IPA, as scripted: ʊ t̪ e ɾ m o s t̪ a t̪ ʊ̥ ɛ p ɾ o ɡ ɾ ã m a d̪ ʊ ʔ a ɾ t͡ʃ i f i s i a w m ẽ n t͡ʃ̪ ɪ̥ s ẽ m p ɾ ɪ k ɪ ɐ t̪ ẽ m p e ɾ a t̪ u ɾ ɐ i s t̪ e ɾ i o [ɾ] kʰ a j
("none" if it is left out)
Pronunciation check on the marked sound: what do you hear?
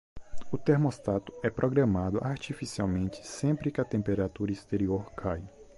ɾ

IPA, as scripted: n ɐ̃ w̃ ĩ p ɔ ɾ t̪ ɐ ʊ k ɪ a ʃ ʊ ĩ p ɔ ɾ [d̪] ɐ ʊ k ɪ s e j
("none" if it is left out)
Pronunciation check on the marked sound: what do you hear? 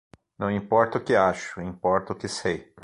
t̪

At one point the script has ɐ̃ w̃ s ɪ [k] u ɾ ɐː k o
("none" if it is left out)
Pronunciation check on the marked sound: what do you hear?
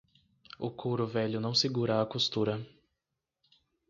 ɡ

